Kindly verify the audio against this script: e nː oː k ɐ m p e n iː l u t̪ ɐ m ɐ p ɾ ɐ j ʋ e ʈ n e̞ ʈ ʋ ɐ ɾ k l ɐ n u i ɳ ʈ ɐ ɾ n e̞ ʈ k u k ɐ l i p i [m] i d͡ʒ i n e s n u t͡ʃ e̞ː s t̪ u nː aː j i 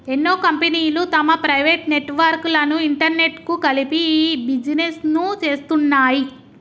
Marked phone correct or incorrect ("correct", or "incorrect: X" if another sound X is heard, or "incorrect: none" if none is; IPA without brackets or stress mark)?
incorrect: b